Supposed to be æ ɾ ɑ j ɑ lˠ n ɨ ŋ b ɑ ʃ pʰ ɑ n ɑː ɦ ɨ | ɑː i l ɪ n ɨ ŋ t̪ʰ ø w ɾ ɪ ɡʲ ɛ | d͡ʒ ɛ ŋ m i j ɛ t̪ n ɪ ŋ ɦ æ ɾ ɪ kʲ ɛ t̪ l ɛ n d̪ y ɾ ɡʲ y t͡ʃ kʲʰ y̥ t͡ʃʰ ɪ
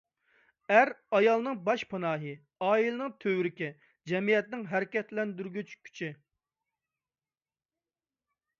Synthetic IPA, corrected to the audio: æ ɾ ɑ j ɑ lˠ n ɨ ŋ b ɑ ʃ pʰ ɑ n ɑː ɦ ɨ | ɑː i l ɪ n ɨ ŋ t̪ʰ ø w ɾ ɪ kʲ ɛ | d͡ʒ ɛ m i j ɛ t̪ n ɪ ŋ ɦ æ ɾ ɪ kʲ ɛ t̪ l ɛ n d̪ y ɾ ɡʲ y t͡ʃ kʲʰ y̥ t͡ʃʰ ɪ